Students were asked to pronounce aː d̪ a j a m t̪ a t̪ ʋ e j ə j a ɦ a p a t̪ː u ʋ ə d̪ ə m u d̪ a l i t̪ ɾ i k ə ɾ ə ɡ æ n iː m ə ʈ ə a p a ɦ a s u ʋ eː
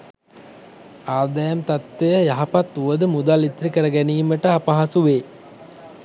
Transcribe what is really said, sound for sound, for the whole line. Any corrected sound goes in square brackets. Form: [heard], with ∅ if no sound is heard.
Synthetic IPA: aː d̪ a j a m t̪ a t̪ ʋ e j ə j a ɦ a p a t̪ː u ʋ ə d̪ ə m u d̪ a l i t̪ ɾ i k ə ɾ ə ɡ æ n iː m ə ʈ ə a p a ɦ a s u ʋ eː